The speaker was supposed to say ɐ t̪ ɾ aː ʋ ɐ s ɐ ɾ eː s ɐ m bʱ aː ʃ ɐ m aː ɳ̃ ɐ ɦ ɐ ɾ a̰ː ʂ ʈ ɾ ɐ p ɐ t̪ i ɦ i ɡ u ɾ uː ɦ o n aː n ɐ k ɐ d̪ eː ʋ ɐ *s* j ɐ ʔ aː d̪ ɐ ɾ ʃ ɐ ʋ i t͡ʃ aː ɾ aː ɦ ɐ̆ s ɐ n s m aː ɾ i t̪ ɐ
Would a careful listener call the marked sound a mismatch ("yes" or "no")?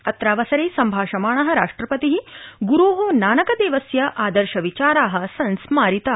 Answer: no